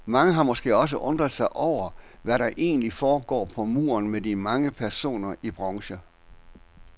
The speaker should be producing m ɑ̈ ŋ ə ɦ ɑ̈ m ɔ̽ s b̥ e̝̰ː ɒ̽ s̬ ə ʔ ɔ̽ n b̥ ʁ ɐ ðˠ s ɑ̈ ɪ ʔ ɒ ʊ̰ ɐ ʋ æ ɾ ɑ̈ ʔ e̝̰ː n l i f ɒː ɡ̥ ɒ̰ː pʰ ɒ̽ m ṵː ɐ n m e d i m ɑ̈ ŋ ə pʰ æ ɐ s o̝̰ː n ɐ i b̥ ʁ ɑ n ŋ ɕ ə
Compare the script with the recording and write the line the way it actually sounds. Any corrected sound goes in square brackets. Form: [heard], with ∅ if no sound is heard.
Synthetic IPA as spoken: m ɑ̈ ŋ ə ɦ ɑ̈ m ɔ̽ s [ɡ̥] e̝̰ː ɒ̽ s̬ ə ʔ ɔ̽ n [d̥] ʁ ɐ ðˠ s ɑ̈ ɪ ʔ ɒ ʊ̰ ɐ ʋ æ ɾ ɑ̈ ʔ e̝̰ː n l i f ɒː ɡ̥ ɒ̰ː pʰ ɒ̽ m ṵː ɐ n m e d i m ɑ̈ ŋ ə pʰ æ ɐ s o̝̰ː n ɐ i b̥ ʁ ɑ [∅] ŋ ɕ ə